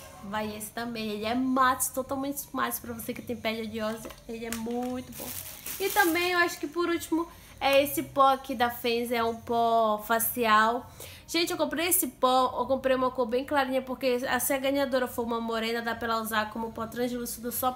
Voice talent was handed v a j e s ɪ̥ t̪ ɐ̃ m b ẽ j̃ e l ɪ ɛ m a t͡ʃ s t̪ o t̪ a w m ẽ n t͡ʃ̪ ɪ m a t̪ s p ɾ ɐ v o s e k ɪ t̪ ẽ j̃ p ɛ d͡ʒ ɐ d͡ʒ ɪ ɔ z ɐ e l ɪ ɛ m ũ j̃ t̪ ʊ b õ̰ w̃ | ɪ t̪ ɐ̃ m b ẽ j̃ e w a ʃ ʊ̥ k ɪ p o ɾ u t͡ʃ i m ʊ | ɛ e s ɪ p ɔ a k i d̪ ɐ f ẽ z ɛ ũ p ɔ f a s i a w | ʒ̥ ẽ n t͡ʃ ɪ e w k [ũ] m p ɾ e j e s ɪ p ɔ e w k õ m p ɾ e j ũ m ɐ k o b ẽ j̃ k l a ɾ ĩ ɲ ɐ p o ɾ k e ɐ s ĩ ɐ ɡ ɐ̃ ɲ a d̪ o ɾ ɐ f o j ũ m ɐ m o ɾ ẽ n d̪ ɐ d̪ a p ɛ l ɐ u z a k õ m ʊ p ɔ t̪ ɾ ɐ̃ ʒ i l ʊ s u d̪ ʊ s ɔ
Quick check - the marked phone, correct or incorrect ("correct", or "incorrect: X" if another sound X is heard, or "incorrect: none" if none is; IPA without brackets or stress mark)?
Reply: incorrect: õ